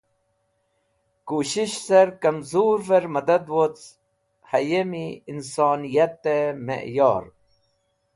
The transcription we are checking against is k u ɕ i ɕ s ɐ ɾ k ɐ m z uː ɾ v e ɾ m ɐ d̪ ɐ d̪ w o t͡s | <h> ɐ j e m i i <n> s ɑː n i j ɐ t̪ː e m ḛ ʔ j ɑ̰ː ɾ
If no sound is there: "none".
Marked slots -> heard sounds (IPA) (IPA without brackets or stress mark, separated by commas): h, n